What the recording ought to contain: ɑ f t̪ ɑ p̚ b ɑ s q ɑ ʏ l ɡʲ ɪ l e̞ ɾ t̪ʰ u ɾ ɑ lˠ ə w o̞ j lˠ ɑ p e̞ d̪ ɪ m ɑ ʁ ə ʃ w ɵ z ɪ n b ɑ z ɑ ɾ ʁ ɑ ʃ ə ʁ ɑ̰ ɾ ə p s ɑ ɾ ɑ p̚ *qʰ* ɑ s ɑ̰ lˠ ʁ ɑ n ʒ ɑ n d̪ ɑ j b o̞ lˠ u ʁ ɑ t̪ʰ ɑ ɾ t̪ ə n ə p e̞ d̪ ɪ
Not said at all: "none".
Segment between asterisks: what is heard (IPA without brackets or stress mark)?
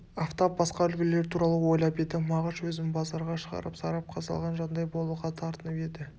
qʰ